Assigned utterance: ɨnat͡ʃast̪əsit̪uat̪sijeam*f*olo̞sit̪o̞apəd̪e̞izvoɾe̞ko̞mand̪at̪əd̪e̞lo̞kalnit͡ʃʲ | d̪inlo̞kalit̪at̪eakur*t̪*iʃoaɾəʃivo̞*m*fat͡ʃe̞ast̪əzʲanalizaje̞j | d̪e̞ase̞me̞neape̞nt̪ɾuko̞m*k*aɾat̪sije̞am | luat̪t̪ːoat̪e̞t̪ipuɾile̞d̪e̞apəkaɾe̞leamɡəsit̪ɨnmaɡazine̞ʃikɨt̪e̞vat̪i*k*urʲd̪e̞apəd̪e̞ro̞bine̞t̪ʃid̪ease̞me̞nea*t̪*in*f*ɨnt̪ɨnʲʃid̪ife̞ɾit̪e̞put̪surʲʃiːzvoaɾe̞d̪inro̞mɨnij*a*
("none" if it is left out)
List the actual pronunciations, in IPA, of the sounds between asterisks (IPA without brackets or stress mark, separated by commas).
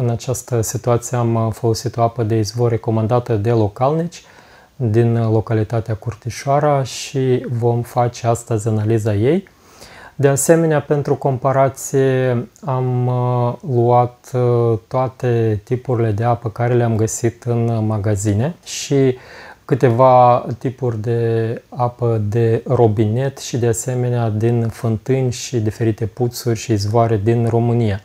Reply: f, t̪, m, p, p, d̪, f, a